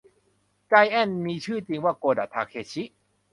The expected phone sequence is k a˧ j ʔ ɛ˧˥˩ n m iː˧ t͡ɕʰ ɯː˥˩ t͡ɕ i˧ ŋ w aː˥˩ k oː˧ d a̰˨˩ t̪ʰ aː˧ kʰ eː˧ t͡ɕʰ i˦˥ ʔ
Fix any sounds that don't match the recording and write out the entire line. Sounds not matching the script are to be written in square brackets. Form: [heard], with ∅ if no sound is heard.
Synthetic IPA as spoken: k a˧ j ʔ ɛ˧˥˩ n m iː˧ t͡ɕʰ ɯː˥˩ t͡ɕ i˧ ŋ w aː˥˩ k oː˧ d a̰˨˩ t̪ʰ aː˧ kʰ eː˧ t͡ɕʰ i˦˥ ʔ